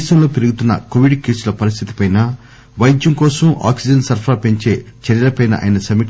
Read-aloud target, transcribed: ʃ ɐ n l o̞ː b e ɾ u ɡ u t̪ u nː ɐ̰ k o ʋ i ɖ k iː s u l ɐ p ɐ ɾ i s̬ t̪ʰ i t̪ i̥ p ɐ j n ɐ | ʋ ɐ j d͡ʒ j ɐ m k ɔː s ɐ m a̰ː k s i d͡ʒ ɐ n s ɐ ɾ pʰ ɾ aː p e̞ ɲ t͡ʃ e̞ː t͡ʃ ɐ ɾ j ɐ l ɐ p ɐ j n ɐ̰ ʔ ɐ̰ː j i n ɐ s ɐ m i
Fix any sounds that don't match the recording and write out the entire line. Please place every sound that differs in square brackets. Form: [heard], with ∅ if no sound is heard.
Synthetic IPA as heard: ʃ ɐ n l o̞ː [p] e ɾ u ɡ u t̪ u nː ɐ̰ k o ʋ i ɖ k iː s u l ɐ p ɐ ɾ i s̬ t̪ʰ i t̪ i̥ p ɐ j n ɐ | ʋ ɐ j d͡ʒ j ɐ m k ɔː s ɐ m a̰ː k s i d͡ʒ ɐ n s ɐ ɾ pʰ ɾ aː p e̞ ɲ t͡ʃ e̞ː t͡ʃ ɐ ɾ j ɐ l ɐ p ɐ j n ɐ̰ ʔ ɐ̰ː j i n ɐ s ɐ m i